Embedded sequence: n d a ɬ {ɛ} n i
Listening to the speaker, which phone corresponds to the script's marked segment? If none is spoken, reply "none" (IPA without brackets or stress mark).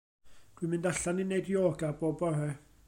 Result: a